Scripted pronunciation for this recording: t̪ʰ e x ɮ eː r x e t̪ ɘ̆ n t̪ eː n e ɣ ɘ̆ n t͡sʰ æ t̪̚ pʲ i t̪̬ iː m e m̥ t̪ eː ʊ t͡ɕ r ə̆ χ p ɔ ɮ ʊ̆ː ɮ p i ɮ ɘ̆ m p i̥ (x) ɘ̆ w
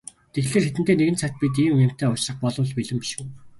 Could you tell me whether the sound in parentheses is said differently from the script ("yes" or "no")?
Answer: yes